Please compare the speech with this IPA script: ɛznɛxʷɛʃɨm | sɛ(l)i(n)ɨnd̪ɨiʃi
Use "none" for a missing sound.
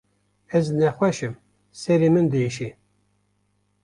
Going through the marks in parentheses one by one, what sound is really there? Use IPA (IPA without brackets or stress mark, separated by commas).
ɾ, m